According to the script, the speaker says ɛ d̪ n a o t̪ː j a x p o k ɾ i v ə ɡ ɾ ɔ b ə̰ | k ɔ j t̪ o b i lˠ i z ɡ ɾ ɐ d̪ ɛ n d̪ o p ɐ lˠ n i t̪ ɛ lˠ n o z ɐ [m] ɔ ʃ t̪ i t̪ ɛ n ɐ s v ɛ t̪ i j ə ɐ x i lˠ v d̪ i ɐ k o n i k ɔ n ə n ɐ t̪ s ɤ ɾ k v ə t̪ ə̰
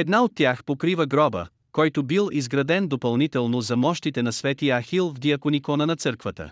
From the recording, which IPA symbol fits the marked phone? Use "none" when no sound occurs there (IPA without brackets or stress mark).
m